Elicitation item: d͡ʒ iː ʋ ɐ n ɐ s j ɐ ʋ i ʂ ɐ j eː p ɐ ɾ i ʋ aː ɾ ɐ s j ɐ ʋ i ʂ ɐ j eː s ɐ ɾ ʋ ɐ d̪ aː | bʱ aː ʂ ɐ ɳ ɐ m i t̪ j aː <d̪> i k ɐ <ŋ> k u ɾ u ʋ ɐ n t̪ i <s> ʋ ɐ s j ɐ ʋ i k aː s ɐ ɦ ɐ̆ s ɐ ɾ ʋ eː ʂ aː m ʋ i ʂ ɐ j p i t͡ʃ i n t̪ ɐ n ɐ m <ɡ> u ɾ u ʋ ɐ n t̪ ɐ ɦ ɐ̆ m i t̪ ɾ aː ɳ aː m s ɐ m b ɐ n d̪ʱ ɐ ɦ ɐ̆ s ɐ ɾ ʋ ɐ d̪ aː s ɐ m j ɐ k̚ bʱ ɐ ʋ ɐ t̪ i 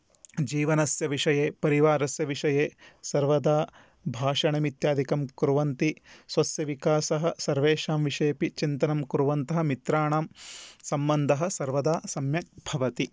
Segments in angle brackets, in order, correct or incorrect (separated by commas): correct, incorrect, correct, incorrect